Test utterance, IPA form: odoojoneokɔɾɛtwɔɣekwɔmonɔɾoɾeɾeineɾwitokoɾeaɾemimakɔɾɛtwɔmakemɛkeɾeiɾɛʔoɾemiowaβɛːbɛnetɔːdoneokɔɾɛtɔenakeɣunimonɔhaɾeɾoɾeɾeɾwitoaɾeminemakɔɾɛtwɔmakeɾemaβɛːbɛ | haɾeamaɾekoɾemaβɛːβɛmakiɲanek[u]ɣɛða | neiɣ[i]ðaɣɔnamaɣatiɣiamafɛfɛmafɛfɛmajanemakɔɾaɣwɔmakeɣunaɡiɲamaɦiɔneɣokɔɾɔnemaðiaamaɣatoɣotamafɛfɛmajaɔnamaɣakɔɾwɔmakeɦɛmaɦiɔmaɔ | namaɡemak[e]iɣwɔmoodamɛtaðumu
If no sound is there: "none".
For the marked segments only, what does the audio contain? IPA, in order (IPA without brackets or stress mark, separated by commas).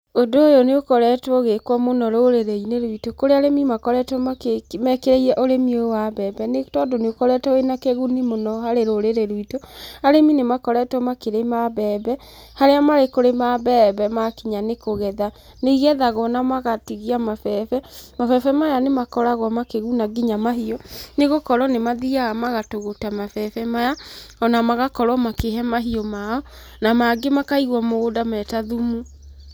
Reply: o, ɛ, a